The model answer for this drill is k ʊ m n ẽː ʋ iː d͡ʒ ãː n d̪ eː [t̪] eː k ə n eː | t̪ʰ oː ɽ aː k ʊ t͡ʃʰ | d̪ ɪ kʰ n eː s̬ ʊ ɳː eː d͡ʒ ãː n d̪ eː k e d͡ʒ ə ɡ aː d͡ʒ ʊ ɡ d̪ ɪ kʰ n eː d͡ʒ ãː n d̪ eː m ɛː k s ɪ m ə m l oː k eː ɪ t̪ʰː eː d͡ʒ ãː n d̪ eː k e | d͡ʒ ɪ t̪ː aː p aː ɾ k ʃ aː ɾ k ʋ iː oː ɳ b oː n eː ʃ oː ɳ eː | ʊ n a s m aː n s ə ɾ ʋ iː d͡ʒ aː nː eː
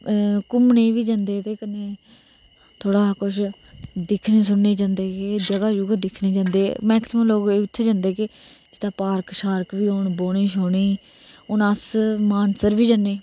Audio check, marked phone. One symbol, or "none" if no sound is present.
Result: t̪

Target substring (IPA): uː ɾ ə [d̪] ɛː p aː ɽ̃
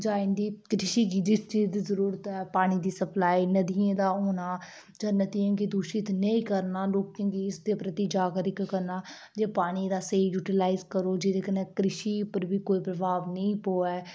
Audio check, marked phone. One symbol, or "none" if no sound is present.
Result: t̪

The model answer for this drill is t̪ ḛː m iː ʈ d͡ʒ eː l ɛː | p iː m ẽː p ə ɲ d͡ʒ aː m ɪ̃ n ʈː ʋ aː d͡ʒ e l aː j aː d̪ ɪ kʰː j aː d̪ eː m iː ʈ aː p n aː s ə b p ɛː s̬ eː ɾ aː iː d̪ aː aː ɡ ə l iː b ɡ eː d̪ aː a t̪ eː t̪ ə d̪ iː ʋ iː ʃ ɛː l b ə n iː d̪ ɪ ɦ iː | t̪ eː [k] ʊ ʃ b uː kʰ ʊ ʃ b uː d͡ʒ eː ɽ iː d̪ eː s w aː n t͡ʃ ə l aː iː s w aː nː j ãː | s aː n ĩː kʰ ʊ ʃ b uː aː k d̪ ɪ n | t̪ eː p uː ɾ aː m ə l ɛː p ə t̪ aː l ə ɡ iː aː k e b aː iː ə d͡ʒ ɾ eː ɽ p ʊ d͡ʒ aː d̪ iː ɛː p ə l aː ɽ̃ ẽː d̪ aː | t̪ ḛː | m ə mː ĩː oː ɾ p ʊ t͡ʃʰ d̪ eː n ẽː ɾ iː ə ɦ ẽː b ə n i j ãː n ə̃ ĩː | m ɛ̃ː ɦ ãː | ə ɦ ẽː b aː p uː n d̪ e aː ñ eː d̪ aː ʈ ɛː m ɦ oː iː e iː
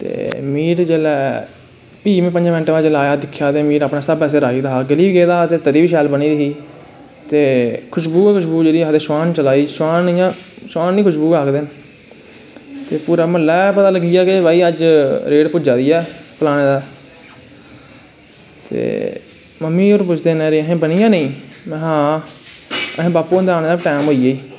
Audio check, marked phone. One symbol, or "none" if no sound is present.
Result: kʰ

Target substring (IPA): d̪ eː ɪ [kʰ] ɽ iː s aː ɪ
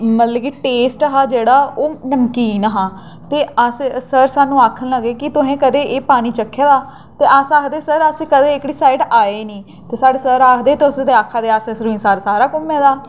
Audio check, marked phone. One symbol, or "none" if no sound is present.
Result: k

